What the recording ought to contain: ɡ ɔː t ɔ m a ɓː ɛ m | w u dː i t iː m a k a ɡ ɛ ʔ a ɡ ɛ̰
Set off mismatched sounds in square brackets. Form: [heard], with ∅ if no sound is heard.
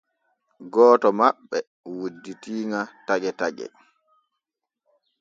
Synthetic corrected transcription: ɡ ɔː t ɔ m a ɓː ɛ [∅] | w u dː i t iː [ŋ] a [t] a ɡ ɛ [t] a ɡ ɛ̰